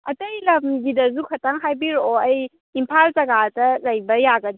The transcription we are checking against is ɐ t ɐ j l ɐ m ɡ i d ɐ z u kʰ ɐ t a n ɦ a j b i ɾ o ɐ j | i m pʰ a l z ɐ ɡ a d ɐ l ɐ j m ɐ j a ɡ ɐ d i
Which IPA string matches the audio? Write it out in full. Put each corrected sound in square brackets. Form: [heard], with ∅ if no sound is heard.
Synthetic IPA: ɐ t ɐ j l ɐ m ɡ i d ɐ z u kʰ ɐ t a [ŋ] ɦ a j b i ɾ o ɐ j | i m pʰ a l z ɐ ɡ a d ɐ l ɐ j [b] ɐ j a ɡ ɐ d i